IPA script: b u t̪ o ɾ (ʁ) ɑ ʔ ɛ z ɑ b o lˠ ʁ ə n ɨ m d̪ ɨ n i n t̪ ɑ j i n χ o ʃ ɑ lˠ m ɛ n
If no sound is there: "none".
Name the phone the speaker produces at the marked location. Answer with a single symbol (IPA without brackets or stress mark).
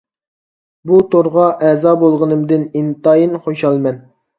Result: ʁ